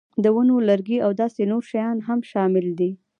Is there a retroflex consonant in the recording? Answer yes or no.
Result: no